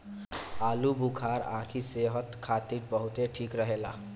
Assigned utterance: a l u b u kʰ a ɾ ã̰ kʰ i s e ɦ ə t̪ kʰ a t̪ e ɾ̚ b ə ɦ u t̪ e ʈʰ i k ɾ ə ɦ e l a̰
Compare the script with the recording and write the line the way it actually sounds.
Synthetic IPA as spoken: a l u b u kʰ a ɾ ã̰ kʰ i s e ɦ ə t̪ kʰ a t̪ i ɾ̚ b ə ɦ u t̪ e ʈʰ i k ɾ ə ɦ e l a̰